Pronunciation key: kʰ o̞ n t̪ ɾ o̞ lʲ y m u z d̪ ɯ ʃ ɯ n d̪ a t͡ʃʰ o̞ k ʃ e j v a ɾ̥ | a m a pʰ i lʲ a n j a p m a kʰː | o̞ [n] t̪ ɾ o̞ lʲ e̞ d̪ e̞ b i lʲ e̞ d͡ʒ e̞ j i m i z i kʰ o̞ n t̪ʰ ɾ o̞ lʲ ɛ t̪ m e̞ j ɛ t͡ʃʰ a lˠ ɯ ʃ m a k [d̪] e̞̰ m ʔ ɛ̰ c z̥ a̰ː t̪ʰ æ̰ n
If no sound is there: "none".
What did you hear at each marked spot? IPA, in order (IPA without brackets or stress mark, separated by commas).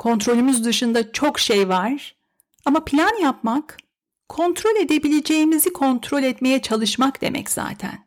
n, d̪